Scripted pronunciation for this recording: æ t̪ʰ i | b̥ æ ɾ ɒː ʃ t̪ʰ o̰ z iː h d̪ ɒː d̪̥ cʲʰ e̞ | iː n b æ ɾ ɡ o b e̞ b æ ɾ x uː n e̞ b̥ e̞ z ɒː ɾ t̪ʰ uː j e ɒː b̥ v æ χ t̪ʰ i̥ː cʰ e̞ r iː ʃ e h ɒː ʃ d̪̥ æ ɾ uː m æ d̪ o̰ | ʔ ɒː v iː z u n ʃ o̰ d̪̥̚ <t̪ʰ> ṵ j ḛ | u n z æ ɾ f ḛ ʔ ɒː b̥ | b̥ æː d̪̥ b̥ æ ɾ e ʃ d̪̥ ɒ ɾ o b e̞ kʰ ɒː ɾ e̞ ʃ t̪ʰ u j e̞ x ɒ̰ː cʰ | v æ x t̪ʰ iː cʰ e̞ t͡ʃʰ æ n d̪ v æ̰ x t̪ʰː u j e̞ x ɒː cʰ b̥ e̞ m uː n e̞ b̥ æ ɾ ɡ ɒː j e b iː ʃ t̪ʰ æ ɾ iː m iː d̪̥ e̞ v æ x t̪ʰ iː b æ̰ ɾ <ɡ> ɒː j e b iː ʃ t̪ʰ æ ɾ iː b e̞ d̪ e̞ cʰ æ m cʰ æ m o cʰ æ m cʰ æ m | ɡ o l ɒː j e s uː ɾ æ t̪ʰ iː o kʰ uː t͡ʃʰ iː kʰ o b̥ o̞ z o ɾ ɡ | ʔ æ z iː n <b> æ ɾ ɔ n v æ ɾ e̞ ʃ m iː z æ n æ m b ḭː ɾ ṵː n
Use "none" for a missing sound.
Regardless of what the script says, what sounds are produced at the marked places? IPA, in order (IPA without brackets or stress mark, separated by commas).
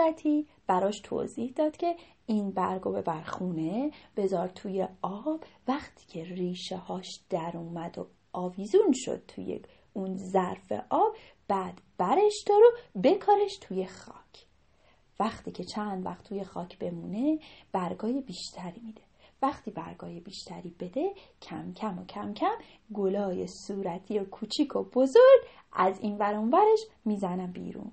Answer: t̪ʰ, ɡ, v